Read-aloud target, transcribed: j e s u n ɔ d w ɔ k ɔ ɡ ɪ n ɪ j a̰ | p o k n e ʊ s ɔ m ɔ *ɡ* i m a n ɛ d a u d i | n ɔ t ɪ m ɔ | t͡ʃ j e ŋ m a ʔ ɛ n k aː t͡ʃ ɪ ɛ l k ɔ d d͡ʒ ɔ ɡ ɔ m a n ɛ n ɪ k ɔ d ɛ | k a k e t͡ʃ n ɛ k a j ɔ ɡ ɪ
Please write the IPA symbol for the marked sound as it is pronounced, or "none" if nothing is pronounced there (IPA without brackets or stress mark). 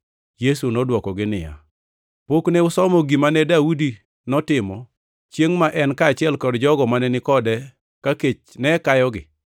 ɡ